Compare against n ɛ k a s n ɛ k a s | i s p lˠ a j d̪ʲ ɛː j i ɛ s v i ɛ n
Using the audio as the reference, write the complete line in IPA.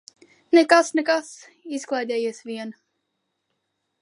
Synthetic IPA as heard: n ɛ k a s n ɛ k a s | i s k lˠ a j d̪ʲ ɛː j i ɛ s v i ɛ n